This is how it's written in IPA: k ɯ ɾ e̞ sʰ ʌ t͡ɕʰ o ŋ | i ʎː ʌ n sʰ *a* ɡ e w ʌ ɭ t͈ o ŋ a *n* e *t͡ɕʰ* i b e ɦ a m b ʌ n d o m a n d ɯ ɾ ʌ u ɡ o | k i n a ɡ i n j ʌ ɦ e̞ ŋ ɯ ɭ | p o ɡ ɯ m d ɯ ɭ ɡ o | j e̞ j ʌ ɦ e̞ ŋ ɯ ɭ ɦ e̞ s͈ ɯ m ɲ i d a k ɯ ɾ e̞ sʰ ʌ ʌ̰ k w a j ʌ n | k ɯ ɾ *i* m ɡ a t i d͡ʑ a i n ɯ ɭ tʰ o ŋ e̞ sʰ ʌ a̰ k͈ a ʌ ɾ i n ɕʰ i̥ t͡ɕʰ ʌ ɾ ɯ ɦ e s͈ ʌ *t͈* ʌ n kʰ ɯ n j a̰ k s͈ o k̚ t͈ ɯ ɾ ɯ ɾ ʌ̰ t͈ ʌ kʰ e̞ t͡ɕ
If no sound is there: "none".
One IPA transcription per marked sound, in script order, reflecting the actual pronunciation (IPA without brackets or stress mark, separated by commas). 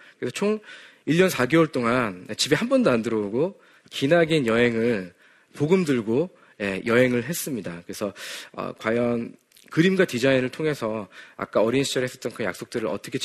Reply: a, n, t͡ɕ, i, t͈